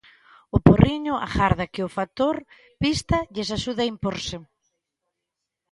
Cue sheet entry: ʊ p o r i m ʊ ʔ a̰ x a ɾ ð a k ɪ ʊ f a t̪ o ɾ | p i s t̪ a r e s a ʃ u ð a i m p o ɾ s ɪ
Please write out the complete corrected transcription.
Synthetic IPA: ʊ p o r i ɲ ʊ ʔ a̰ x a ɾ ð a k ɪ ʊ f a t̪ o ɾ | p i s t̪ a ʎ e s a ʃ u ð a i m p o ɾ s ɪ